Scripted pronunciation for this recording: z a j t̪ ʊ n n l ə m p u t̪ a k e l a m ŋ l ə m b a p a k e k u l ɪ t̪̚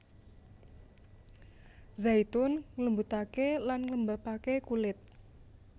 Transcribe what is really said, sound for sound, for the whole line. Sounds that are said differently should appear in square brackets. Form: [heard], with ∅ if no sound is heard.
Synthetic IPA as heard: z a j t̪ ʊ n [ŋ] l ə m [b] u t̪ a k e l a [n] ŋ l ə m b a p a k e k u l ɪ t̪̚